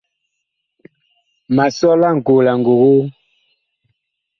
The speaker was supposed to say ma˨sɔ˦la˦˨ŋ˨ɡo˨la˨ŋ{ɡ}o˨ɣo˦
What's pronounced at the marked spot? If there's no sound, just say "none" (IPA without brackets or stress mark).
ɡ